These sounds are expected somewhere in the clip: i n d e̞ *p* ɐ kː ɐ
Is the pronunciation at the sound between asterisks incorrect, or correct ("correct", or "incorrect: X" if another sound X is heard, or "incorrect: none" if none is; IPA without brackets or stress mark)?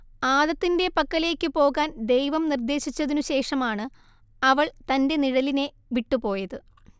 correct